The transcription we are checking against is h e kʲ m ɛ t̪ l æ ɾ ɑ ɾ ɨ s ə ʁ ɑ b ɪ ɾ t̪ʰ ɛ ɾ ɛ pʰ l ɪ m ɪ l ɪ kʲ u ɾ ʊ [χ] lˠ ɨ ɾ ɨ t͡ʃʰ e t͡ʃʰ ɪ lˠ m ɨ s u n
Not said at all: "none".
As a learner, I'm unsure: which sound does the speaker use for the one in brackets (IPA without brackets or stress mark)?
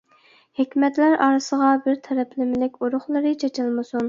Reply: χ